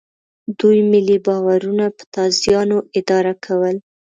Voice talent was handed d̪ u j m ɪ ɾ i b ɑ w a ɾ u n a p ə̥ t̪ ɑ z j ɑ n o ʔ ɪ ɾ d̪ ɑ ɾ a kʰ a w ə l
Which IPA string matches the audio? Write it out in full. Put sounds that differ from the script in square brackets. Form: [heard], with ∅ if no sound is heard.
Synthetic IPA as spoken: d̪ u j m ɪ [l] i b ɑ w a ɾ u n a p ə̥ t̪ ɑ z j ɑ n o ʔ ɪ [∅] d̪ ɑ ɾ a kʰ a w ə l